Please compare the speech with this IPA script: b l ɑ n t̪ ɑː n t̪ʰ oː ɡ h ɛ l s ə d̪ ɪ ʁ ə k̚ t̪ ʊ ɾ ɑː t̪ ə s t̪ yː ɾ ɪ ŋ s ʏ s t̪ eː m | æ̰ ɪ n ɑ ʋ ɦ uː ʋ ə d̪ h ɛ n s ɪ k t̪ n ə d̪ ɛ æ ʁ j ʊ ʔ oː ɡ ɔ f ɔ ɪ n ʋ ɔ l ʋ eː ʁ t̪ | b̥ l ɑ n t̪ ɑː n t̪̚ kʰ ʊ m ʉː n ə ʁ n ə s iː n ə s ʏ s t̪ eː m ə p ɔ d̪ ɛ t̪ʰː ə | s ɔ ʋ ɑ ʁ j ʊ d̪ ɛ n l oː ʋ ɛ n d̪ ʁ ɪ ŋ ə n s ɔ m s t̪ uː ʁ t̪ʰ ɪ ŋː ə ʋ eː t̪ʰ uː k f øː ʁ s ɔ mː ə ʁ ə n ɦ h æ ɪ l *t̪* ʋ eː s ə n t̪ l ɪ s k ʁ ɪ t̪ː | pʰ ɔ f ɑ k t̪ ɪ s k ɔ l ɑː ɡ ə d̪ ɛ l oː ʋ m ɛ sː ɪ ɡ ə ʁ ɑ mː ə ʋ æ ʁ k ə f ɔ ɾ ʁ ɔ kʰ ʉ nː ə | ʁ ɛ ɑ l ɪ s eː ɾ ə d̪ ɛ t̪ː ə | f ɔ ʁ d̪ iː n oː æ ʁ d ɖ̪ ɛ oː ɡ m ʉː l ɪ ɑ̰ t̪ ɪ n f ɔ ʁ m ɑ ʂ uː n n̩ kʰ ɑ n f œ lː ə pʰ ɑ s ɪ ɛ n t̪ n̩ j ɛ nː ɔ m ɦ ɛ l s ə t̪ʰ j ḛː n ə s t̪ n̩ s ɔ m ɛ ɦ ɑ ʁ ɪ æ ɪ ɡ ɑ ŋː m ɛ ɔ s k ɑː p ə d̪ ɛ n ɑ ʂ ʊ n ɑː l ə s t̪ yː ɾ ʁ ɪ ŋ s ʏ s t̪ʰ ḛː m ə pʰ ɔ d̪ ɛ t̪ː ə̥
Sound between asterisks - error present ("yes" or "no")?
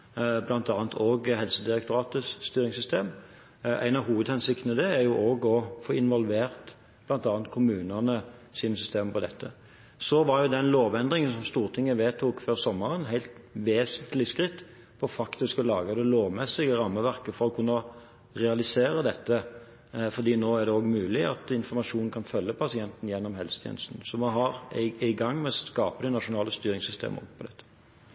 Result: no